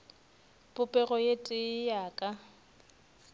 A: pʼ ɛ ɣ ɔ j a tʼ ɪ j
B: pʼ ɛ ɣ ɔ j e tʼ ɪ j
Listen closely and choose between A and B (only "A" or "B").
B